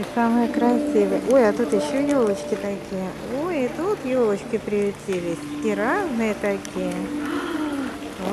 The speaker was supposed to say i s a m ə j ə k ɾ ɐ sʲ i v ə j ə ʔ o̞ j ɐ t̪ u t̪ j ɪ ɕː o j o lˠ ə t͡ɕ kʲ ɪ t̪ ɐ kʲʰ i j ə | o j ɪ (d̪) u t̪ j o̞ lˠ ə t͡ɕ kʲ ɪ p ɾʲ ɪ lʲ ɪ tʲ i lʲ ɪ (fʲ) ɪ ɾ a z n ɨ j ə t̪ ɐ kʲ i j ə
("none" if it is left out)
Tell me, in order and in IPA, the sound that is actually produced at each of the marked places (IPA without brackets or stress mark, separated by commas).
t̪, sʲ